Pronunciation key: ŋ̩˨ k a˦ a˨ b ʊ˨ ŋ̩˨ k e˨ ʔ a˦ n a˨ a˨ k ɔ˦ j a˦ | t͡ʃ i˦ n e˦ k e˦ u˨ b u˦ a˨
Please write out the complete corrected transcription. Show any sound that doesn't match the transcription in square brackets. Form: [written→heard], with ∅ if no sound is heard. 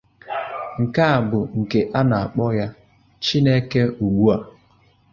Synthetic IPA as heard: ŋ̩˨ k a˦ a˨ b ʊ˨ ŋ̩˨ k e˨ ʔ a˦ n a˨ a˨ [k→k͡p] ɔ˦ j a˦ | t͡ʃ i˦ n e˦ k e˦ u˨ [b→ɡ͡b] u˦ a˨